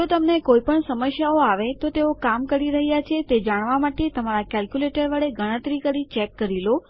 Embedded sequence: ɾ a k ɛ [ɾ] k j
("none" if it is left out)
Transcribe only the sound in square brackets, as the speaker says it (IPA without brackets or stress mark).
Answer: l